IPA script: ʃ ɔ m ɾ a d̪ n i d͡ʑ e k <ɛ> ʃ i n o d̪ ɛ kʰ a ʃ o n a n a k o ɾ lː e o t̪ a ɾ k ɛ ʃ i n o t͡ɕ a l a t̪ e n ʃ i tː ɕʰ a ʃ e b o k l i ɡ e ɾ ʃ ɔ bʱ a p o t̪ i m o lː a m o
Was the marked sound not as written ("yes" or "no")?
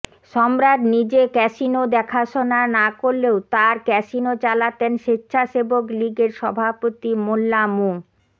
no